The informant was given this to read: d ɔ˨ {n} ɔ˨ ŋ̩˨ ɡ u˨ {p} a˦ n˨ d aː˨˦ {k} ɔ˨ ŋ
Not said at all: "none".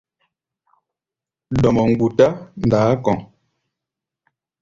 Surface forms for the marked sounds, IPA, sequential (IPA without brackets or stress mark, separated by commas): m, t, k